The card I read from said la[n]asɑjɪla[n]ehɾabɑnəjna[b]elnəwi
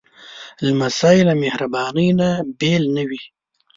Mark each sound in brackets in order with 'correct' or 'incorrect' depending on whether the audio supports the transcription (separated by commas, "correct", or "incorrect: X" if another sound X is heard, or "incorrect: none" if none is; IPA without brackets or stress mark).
incorrect: m, incorrect: m, correct